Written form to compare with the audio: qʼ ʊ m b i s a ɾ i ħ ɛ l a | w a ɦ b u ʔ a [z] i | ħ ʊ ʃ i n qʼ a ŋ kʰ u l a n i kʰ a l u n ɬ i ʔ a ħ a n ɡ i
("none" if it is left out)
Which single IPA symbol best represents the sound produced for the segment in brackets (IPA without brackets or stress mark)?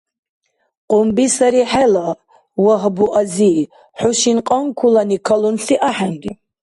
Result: z